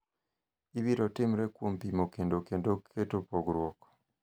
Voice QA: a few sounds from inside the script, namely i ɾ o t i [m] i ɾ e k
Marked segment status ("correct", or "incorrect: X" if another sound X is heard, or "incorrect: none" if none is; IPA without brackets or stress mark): correct